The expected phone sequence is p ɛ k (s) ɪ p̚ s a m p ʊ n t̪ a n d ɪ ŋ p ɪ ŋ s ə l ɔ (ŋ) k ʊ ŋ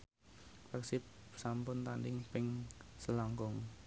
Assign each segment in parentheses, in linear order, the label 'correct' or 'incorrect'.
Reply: correct, correct

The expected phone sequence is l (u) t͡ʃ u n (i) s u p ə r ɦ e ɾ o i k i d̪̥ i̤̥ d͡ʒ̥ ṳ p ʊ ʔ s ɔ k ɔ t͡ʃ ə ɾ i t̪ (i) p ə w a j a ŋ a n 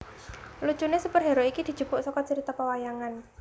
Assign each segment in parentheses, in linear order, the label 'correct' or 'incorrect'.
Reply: correct, incorrect: e, incorrect: a

